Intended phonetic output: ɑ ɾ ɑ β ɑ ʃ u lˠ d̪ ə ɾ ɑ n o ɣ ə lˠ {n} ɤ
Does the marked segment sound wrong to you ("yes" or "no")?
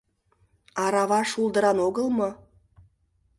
yes